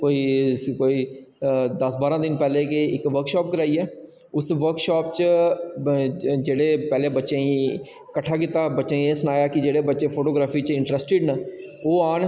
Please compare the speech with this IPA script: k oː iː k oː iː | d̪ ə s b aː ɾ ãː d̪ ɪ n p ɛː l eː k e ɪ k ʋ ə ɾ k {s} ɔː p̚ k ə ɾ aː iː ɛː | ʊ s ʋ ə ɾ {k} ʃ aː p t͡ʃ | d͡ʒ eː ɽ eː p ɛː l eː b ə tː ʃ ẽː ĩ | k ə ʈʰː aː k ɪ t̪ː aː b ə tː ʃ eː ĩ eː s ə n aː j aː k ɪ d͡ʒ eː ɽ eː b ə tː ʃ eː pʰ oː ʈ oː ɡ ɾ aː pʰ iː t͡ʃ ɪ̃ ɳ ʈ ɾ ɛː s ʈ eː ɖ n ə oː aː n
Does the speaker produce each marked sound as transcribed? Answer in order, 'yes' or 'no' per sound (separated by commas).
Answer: no, yes